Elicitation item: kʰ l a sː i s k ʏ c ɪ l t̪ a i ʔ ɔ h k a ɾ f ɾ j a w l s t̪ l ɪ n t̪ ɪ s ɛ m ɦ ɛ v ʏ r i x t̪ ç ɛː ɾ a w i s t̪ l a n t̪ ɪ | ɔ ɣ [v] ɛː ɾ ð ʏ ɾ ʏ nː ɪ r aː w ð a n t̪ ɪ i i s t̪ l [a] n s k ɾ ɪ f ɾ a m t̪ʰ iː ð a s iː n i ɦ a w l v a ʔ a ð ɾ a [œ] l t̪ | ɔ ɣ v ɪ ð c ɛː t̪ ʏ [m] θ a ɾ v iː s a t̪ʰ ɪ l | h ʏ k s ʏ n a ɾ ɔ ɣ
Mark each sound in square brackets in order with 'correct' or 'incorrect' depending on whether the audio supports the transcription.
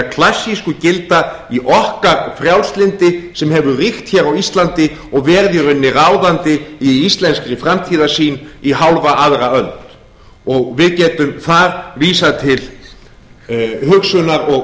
correct, incorrect: ɛ, correct, correct

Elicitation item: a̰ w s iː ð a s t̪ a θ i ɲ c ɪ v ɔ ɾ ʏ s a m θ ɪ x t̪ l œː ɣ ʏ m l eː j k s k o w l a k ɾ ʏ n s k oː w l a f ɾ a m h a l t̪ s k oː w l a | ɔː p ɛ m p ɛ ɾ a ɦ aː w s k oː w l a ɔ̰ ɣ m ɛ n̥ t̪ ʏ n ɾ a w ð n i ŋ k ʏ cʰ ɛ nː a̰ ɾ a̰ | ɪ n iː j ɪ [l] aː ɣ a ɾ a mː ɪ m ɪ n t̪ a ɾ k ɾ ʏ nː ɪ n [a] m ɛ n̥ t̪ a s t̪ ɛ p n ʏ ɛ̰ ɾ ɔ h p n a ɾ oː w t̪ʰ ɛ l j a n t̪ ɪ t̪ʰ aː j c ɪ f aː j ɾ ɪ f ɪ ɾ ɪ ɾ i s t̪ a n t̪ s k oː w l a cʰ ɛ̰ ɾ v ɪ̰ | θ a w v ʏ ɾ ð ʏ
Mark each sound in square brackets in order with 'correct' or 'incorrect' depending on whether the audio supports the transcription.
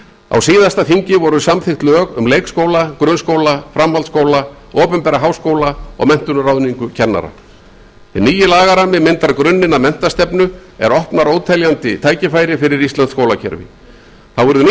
correct, correct

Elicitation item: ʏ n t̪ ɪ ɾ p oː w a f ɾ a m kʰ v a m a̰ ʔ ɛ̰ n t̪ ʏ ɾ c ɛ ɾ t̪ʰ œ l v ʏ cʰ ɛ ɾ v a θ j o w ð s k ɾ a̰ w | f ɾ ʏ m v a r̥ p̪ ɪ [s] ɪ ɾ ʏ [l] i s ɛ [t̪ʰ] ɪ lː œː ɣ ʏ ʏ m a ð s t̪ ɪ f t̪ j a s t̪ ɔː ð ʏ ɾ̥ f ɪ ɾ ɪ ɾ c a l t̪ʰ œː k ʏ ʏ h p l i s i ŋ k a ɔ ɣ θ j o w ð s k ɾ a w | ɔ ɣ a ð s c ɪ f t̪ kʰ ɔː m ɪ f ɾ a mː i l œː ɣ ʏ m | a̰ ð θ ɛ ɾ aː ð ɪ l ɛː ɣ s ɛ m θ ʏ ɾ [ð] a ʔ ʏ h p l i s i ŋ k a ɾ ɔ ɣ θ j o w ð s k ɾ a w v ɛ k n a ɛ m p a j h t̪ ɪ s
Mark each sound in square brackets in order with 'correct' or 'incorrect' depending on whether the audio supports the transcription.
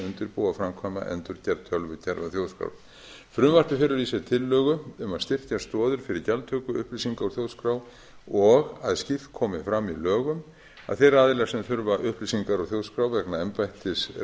incorrect: f, incorrect: ɾ, correct, incorrect: v

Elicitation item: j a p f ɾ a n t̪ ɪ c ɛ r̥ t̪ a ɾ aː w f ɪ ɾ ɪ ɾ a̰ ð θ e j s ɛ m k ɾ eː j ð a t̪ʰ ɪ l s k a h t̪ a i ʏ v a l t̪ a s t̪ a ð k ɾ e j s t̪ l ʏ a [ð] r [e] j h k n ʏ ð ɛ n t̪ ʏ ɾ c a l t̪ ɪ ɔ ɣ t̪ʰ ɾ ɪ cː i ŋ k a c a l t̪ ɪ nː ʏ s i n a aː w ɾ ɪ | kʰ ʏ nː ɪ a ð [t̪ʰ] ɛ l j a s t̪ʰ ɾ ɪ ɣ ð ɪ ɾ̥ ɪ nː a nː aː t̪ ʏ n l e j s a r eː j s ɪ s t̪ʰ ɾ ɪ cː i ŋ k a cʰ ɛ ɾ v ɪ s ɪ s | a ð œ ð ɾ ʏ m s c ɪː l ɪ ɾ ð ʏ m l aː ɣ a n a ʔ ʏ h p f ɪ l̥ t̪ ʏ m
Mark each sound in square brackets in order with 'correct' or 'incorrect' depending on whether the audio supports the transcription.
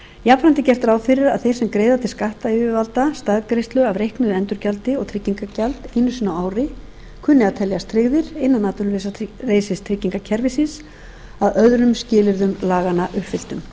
incorrect: v, correct, correct

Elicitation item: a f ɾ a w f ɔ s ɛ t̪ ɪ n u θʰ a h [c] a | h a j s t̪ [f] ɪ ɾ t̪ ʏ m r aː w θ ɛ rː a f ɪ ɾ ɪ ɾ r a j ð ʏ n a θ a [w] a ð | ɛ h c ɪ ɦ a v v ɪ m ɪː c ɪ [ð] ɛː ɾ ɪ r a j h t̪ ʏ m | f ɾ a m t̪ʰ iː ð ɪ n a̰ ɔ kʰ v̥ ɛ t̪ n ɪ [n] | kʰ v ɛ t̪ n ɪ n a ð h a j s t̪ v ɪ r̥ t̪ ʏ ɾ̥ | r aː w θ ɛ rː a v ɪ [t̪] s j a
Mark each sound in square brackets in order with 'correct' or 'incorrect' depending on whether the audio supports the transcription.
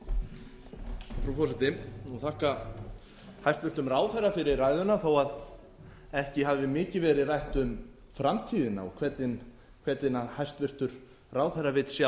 incorrect: k, incorrect: v, correct, incorrect: v, correct, correct

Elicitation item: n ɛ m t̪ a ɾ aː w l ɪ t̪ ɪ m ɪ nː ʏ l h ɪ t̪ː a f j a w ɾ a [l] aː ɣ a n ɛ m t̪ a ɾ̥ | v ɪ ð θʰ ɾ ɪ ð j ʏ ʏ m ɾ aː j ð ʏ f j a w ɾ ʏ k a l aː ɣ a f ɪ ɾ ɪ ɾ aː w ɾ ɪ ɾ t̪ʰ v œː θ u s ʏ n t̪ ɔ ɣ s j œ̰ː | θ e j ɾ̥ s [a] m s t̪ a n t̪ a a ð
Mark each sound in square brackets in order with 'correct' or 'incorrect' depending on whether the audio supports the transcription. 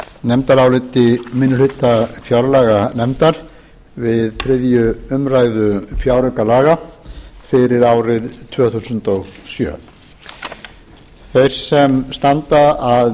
correct, incorrect: ɛ

